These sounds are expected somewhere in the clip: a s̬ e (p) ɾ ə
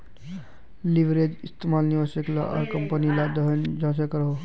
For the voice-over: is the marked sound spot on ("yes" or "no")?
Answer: no